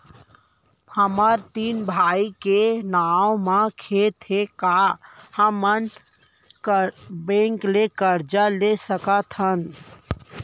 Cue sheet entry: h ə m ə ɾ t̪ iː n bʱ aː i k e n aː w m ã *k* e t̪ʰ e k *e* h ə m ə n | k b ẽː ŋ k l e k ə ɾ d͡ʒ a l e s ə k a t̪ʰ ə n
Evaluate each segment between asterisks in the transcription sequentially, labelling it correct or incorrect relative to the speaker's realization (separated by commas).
incorrect, incorrect